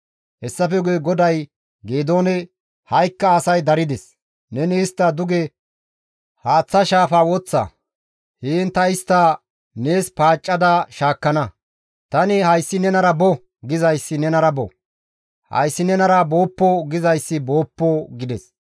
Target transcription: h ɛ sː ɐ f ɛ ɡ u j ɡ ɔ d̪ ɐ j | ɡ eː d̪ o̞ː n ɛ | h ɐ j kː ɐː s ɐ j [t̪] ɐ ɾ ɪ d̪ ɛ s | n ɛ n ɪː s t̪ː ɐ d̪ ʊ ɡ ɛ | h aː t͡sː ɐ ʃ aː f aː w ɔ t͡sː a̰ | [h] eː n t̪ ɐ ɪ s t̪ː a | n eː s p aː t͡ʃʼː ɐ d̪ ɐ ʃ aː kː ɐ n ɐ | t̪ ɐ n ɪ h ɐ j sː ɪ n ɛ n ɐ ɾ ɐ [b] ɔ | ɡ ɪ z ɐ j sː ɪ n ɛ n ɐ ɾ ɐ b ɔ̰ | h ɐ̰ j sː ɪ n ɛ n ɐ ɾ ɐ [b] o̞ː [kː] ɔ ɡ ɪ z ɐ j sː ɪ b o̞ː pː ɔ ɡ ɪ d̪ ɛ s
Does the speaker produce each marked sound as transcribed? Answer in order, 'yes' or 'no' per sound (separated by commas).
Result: no, yes, yes, yes, no